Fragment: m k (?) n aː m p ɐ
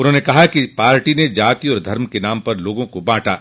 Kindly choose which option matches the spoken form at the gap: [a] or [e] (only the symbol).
e